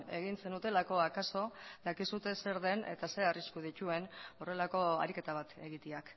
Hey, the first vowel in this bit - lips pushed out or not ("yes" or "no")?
no